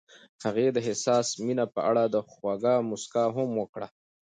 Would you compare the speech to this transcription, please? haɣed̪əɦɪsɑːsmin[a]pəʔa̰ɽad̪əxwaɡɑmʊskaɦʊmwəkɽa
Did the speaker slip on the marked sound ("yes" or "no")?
no